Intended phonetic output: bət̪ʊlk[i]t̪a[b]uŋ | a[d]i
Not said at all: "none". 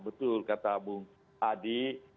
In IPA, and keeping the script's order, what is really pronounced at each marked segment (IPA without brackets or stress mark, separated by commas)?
a, b, d